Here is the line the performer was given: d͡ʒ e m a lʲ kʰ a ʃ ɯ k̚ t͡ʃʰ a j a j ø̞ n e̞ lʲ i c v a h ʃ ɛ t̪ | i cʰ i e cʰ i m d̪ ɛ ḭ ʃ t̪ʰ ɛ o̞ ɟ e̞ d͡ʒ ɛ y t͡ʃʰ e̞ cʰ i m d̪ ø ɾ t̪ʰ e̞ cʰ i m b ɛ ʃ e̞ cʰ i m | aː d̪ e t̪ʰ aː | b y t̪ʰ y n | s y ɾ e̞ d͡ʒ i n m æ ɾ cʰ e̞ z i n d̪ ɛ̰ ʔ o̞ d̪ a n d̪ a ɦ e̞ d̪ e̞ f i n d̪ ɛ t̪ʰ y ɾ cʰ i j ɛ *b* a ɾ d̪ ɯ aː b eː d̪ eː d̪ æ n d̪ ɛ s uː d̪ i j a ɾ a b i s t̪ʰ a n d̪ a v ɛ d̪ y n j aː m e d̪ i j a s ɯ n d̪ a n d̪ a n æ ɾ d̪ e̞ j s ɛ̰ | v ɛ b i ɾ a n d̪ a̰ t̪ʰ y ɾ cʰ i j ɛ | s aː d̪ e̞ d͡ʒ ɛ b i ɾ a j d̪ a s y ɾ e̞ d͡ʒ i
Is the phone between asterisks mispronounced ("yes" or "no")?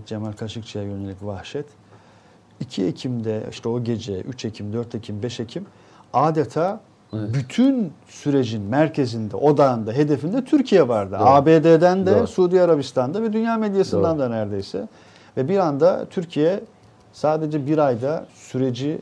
yes